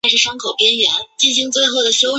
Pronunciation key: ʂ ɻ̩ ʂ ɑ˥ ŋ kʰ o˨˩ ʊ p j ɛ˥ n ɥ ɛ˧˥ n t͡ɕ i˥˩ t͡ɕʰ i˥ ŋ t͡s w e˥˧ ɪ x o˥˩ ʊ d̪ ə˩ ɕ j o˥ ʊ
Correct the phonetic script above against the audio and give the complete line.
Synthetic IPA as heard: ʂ ɻ̩ ʂ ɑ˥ ŋ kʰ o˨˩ ʊ p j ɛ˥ n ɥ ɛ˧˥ n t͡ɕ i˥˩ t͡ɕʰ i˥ ŋ t͡s w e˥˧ ɪ x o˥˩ ʊ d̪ ə˩ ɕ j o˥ ʊ